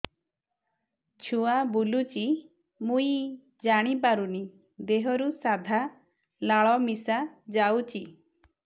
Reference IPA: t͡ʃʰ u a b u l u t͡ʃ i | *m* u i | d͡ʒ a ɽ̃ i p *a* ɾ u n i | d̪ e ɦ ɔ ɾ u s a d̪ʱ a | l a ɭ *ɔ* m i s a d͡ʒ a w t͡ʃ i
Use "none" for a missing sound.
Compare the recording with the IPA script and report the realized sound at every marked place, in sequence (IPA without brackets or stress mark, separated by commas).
m, a, ɔ